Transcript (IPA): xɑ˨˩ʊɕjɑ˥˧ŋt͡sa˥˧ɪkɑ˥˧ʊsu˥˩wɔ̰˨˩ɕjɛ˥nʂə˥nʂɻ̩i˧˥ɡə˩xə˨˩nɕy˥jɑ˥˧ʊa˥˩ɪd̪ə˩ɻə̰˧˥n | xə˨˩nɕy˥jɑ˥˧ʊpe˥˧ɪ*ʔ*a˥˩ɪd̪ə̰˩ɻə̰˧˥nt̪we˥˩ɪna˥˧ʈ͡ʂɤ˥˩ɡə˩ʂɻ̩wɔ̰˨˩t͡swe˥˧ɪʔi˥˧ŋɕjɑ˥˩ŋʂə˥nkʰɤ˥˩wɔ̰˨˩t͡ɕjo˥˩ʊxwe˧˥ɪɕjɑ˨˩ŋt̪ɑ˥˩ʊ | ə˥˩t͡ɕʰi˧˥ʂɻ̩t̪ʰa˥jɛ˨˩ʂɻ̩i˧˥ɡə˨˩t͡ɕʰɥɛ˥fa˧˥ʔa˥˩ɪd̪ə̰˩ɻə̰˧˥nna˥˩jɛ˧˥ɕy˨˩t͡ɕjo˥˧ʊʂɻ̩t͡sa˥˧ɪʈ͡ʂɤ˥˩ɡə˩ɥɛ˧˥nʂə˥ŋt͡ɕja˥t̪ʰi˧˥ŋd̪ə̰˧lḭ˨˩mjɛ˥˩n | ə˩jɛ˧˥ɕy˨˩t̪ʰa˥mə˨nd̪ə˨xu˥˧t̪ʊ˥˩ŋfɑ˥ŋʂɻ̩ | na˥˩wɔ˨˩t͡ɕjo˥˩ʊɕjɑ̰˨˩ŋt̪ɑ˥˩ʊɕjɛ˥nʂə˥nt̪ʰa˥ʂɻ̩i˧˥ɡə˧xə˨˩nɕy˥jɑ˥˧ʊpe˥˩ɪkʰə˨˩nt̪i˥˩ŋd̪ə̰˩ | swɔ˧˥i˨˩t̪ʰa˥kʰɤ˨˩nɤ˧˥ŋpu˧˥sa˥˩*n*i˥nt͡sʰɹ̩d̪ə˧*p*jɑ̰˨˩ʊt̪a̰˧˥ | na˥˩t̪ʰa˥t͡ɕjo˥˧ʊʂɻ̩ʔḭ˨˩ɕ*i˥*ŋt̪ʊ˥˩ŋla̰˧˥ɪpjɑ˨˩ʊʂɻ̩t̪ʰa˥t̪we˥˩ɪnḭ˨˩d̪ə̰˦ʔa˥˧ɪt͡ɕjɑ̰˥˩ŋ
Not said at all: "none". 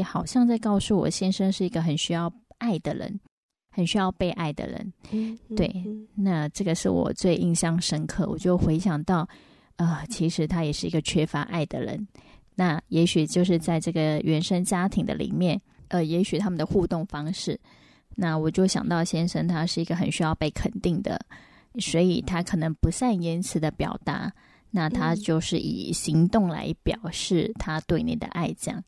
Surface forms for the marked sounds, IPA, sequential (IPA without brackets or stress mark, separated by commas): ʔ, n, p, i˧˥